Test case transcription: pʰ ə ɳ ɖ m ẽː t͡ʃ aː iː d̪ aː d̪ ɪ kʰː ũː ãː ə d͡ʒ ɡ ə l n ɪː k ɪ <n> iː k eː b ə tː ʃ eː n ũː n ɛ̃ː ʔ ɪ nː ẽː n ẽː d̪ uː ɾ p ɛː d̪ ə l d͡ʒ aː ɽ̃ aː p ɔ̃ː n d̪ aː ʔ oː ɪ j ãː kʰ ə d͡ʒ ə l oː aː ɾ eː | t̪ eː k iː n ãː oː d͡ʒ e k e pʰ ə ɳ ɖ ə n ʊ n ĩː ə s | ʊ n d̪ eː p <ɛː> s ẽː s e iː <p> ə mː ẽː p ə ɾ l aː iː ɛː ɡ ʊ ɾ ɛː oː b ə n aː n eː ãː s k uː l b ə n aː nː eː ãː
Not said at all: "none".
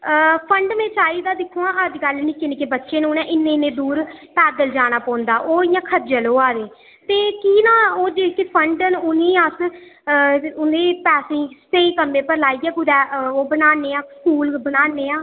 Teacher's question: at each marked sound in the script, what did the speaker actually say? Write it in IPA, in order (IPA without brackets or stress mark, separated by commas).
n, ɛː, k